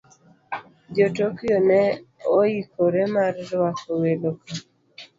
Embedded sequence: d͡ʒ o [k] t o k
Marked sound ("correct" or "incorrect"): incorrect